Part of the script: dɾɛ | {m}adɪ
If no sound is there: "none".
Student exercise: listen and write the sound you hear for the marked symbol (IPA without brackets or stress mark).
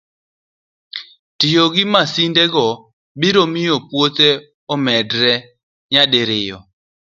ɲ